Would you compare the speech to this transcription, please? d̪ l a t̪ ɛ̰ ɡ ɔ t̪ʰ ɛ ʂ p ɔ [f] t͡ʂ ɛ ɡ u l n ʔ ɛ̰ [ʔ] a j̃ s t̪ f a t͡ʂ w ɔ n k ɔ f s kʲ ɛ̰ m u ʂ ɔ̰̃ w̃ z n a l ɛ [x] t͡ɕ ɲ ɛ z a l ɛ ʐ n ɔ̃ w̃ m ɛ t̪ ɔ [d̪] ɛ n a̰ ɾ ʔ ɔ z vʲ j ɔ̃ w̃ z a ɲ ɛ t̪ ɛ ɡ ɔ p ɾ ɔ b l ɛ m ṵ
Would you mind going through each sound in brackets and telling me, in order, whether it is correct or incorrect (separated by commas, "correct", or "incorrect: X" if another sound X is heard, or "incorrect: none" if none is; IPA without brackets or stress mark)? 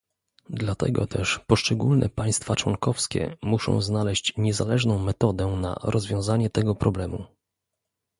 incorrect: ʂ, incorrect: p, incorrect: ɕ, correct